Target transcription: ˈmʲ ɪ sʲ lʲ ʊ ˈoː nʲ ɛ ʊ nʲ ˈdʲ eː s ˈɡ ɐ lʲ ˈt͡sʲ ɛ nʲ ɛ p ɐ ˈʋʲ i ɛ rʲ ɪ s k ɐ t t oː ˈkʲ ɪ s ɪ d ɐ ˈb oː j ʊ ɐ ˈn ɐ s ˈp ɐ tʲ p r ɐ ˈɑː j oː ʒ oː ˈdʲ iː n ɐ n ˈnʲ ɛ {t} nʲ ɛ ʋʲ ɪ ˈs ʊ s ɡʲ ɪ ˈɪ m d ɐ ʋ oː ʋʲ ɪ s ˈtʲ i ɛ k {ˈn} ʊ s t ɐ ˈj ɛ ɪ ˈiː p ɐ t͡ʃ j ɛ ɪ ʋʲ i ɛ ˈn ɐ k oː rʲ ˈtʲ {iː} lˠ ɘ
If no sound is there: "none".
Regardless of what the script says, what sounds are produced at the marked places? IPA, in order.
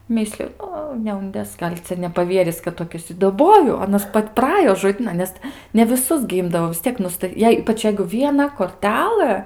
s, n, æː

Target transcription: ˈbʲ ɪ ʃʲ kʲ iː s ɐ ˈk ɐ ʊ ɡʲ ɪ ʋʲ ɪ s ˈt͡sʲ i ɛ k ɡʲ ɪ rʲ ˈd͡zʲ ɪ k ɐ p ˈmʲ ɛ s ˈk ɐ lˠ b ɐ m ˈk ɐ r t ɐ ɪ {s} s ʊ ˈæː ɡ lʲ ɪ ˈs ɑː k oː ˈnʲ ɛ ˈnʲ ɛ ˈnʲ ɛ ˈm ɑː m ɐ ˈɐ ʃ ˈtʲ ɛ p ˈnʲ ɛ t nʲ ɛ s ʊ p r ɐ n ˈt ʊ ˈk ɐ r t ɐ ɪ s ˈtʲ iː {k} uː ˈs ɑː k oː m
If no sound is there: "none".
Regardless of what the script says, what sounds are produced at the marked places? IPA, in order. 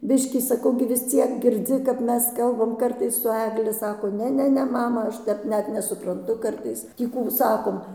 s, k

